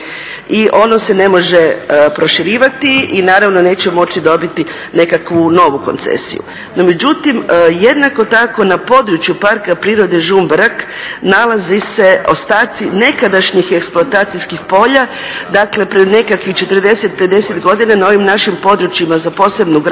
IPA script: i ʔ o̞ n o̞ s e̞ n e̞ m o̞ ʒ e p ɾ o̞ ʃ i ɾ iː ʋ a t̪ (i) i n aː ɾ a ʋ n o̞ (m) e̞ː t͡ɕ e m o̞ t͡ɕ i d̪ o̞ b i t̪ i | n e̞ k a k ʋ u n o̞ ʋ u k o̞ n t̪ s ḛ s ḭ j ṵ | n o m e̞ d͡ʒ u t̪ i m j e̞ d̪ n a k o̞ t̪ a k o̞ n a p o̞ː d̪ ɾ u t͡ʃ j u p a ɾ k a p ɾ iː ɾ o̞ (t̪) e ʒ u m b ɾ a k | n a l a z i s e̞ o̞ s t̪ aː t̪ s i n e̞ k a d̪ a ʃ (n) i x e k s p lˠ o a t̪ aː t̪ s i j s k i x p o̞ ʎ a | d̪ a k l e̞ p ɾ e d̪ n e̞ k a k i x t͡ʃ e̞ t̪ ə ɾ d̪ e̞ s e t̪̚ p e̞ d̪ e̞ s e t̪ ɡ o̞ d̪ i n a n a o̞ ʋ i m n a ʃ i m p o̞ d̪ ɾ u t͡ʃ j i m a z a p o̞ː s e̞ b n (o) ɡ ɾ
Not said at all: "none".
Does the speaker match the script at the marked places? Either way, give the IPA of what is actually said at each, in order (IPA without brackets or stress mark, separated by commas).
i, n, d̪, ɲ, u